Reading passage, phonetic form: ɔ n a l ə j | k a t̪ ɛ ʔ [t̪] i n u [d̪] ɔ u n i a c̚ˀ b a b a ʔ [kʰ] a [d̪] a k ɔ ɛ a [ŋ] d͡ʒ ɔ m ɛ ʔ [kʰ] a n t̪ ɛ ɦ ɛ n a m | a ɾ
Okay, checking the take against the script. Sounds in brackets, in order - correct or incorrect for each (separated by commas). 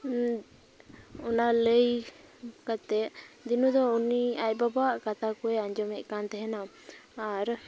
incorrect, correct, incorrect, incorrect, incorrect, incorrect